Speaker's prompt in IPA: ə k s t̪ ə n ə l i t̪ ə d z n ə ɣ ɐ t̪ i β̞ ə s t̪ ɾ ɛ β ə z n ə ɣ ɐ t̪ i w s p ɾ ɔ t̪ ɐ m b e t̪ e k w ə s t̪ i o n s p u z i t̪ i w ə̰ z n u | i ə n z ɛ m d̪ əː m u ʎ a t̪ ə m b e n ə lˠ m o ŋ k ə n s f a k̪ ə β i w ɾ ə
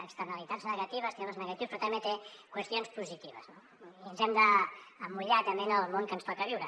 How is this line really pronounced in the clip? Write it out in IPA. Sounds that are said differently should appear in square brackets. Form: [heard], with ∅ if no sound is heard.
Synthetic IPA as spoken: ə k s t̪ ə n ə l i t̪ [a] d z n ə ɣ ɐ t̪ i β̞ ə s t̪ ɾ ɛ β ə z n ə ɣ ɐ t̪ i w s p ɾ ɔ t̪ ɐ m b e t̪ e k w ə s t̪ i o n s p u z i t̪ i [β] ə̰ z n [o] | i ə n z ɛ m d̪ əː m u ʎ a t̪ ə m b e n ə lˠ m o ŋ k ə n s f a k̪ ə β i w ɾ ə

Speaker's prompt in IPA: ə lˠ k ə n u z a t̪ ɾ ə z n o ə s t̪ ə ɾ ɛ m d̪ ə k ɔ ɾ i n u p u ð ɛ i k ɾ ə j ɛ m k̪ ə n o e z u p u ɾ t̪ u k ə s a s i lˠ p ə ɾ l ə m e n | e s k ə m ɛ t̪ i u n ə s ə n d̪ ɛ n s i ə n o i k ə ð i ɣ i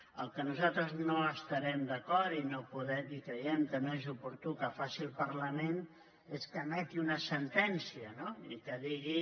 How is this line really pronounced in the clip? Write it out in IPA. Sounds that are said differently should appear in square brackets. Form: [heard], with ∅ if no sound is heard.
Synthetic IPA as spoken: ə lˠ k ə n u z a t̪ ɾ ə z n o ə s t̪ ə ɾ ɛ m d̪ ə k ɔ ɾ i n [o] p u ð ɛ i k ɾ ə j ɛ m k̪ ə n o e z u p u ɾ t̪ u k ə [f] a s i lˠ p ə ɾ l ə m e n | e s k ə m ɛ t̪ i u n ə s ə n [t̪] ɛ n s i ə n o i k ə ð i ɣ i

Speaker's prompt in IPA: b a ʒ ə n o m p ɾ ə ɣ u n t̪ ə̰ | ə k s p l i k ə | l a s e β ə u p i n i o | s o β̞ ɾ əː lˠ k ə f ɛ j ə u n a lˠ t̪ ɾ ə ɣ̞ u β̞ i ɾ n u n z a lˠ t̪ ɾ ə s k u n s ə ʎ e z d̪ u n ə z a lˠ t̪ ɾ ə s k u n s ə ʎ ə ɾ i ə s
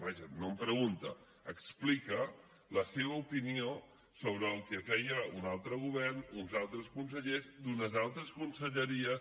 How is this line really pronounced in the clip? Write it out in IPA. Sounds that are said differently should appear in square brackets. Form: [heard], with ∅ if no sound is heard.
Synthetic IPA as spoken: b a ʒ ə n o m p ɾ ə ɣ u n t̪ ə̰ | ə k s p l i k ə | l [ə] s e β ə u p i n i o | s o β̞ ɾ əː lˠ k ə f ɛ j ə u n a lˠ t̪ ɾ ə ɣ̞ u β̞ [ɛ] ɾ n u n z a lˠ t̪ ɾ ə s k u n s ə ʎ e z d̪ u n ə z a lˠ t̪ ɾ ə s k u n s ə ʎ ə ɾ i ə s

